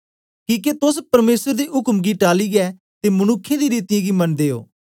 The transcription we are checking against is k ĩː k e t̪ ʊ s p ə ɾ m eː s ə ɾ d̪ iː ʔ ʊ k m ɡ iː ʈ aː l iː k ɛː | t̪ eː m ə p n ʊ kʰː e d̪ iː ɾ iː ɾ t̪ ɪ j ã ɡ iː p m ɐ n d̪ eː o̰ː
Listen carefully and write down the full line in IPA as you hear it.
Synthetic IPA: k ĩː k e t̪ ʊ s p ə ɾ m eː s ə ɾ d̪ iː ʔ ʊ k m ɡ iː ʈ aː l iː ɡ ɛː | t̪ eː m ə n ʊ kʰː e d̪ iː ɾ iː t̪ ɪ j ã ɡ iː m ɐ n d̪ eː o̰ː